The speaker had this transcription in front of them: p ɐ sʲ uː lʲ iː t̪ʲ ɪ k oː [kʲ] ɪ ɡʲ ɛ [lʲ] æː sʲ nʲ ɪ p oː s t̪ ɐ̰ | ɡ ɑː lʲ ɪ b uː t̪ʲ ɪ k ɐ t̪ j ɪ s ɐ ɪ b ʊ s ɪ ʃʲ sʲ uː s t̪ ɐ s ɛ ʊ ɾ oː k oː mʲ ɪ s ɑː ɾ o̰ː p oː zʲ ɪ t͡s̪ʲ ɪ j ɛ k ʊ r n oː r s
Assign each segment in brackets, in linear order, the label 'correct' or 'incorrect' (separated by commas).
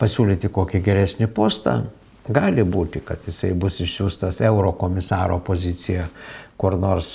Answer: correct, incorrect